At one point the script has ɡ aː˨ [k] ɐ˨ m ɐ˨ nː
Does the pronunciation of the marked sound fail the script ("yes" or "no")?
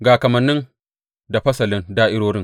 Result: no